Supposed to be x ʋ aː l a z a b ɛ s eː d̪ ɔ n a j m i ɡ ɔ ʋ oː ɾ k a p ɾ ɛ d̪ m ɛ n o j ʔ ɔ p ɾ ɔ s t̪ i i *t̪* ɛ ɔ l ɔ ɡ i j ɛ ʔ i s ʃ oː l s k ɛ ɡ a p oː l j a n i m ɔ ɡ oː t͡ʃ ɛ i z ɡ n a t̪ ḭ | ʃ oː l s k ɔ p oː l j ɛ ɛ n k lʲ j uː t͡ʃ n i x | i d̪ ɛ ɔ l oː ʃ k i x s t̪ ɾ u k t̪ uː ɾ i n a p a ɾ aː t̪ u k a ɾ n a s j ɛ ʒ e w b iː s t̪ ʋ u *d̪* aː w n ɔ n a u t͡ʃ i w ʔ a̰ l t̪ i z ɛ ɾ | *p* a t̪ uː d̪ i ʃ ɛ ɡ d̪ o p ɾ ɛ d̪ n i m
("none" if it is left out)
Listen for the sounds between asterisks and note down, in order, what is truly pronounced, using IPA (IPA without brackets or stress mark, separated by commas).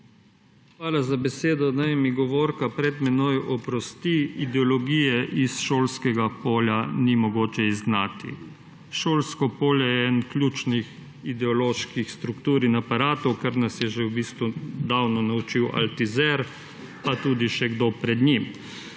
d̪, d̪, p